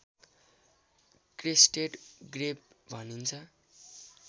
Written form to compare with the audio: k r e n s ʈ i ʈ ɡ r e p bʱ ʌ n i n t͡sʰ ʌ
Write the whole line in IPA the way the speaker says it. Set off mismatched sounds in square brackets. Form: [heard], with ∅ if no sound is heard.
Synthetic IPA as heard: k r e [∅] s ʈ [e] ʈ ɡ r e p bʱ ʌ n i n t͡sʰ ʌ